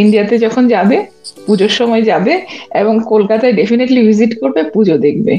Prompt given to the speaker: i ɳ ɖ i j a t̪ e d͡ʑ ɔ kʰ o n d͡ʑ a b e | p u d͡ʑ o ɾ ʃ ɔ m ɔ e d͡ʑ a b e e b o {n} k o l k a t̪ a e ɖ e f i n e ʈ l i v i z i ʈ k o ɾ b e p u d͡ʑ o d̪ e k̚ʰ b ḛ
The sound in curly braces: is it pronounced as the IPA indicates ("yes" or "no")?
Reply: no